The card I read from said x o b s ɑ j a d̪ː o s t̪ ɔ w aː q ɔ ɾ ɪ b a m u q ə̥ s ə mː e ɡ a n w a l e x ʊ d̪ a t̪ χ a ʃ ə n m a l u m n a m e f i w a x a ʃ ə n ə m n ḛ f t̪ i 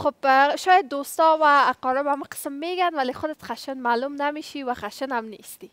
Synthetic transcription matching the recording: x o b ʃ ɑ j a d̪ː o s t̪ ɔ w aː q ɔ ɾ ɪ b a m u q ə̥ s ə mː e ɡ a n w a l e x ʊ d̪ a t̪ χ a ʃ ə n m a l u m n a m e ʃ i w a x a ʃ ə n a m n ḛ s t̪ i